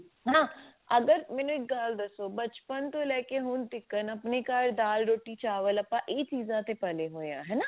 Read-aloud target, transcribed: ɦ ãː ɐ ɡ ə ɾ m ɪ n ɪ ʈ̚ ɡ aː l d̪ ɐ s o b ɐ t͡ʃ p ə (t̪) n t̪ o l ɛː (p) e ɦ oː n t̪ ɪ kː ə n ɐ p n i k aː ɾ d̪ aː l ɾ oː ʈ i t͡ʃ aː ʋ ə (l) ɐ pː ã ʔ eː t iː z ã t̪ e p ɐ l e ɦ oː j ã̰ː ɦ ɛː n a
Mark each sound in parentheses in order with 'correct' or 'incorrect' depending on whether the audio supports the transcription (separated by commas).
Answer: incorrect, incorrect, correct